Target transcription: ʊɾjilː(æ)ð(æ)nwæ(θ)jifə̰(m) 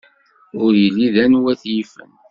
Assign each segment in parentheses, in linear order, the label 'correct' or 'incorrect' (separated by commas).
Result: incorrect, correct, correct, incorrect